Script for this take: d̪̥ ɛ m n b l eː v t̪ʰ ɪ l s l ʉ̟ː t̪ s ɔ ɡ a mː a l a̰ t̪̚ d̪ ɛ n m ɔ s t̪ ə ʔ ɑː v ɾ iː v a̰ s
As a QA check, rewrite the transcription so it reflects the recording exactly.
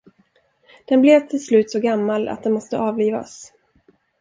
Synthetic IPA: d̪̥ ɛ n b l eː v t̪ʰ ɪ l s l ʉ̟ː t̪ s ɔ ɡ a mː a l a̰ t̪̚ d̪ ɛ n m ɔ s t̪ ə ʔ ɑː v l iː v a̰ s